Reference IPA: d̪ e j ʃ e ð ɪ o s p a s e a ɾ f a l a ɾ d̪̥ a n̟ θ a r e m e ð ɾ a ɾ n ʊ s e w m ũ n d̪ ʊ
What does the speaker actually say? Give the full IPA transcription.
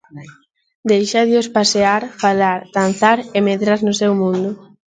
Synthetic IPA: d̪ e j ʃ a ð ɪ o s p a s e a ɾ f a l a ɾ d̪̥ a n̟ θ a ɾ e m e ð ɾ a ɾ n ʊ s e w m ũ n d̪ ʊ